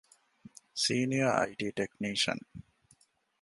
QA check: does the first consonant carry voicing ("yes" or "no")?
no